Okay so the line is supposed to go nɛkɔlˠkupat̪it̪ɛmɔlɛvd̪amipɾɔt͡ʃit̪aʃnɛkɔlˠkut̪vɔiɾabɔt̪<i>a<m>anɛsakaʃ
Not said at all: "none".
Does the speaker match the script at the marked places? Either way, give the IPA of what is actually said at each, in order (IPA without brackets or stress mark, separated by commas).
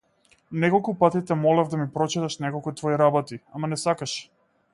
i, m